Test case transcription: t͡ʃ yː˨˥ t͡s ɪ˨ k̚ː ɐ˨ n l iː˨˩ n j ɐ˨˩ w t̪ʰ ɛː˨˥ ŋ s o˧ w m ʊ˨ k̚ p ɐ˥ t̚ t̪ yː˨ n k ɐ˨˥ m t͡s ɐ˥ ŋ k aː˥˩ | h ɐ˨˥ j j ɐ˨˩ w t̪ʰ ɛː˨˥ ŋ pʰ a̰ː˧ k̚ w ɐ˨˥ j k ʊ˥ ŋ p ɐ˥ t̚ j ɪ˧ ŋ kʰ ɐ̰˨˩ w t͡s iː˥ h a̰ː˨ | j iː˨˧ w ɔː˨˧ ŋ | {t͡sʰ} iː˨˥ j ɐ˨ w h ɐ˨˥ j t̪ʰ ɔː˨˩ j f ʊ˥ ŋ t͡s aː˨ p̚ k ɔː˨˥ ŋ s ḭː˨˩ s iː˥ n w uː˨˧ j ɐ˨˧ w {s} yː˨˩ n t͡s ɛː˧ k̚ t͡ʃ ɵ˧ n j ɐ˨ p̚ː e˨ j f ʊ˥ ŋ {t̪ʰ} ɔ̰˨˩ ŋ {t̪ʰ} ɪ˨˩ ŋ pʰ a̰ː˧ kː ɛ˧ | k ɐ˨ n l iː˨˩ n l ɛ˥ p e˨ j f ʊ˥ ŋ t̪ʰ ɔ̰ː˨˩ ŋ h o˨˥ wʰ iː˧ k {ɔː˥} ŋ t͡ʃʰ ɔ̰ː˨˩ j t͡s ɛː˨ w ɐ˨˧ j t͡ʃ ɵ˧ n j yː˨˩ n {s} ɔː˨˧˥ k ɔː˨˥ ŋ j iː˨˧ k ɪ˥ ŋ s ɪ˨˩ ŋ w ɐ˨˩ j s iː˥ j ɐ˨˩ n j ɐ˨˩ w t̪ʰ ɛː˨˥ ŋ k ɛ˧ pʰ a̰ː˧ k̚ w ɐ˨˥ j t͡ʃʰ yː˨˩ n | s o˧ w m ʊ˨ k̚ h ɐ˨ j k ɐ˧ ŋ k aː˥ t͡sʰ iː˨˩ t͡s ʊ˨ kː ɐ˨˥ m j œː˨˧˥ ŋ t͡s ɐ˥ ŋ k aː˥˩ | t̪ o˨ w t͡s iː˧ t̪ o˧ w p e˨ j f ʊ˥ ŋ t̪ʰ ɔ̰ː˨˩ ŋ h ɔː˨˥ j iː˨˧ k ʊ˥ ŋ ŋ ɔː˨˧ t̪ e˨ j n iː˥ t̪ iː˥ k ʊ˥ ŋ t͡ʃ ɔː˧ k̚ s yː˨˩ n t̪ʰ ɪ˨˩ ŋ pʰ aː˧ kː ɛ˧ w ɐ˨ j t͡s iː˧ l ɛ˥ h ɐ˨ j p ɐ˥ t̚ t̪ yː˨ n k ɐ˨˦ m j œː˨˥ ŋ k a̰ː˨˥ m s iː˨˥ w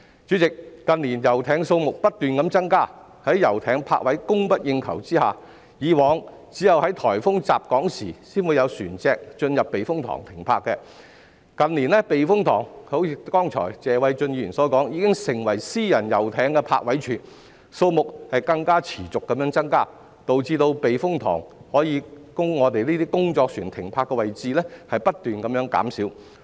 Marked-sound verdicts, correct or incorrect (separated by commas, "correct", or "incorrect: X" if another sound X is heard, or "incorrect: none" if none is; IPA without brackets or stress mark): incorrect: t͡s, correct, correct, correct, correct, correct